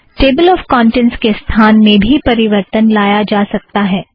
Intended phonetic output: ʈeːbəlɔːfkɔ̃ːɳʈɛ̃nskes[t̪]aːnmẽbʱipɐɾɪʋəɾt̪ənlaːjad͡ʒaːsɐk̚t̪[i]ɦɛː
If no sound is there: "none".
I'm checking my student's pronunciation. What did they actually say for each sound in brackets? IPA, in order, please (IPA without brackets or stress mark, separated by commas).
t̪ʰ, a